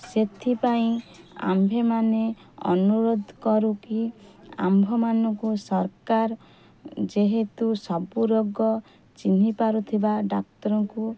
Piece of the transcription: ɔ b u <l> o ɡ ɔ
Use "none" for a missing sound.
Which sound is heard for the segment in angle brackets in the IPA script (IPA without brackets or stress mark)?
ɾ